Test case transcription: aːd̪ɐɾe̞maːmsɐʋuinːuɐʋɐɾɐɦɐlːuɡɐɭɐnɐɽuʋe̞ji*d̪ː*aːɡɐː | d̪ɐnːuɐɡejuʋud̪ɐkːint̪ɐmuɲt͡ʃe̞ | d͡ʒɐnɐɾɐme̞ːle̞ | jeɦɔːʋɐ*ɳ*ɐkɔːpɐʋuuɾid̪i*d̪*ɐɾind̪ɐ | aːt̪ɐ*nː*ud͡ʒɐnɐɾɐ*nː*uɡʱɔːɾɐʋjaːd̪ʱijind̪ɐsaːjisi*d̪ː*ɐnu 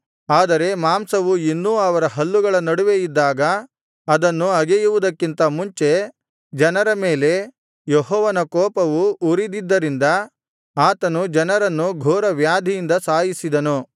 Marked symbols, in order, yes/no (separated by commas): yes, no, no, no, yes, no